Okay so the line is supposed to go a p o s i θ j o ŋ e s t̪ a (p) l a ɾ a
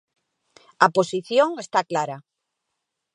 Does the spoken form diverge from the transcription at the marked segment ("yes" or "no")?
yes